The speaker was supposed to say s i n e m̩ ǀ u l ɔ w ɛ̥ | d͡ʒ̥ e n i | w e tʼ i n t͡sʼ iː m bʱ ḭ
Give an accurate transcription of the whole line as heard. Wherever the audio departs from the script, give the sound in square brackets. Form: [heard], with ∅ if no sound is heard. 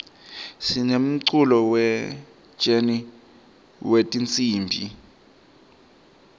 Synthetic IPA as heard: s i n e m̩ ǀ u l ɔ w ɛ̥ | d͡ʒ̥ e n i | w e tʼ i n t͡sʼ iː m bʱ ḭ